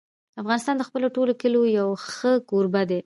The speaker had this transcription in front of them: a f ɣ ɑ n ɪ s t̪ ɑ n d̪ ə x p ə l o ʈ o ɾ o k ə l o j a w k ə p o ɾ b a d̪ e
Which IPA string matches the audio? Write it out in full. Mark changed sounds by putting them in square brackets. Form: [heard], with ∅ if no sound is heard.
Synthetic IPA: a f ɣ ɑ n ɪ s t̪ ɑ n d̪ ə x p ə l o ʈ o [l] o k ə l o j a w [x] ə [k] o ɾ b a d̪ e